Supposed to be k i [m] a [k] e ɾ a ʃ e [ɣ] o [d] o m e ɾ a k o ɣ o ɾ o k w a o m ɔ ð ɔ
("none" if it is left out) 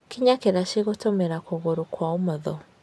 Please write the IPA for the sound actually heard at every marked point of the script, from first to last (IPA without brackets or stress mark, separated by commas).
ɲ, k, ɣ, t